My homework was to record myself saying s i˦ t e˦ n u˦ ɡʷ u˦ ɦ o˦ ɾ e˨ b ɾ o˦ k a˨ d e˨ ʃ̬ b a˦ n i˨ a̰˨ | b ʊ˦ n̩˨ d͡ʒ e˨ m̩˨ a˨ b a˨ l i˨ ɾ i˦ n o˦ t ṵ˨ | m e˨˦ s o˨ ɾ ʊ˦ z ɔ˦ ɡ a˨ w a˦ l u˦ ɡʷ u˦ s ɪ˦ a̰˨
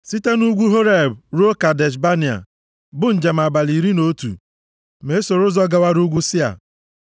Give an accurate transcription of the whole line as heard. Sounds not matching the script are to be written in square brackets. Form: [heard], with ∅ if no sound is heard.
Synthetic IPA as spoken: s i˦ t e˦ n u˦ ɡʷ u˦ ɦ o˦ ɾ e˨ b ɾ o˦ k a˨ d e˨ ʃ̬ b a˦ n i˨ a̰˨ | b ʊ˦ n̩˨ d͡ʒ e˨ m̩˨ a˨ b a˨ l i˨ ɾ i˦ n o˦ t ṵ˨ | m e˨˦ s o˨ ɾ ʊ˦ z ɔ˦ ɡ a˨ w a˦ [ɾ] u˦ ɡʷ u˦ s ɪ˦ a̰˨